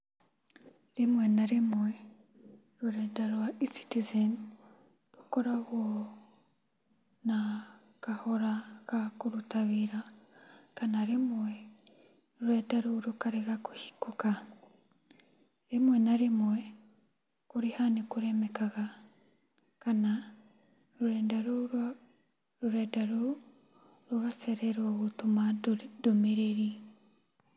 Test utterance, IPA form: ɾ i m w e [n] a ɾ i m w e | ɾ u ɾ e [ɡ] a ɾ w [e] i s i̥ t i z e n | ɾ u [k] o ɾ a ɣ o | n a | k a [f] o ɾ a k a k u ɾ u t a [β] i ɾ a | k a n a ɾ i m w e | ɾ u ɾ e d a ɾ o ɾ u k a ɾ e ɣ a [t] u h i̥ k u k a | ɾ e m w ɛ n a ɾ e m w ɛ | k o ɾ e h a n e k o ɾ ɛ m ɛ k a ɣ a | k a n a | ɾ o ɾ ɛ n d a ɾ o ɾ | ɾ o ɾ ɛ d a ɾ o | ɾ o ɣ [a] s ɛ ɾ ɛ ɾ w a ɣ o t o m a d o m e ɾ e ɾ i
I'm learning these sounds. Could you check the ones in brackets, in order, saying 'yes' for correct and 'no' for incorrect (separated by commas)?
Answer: yes, no, no, yes, no, yes, no, yes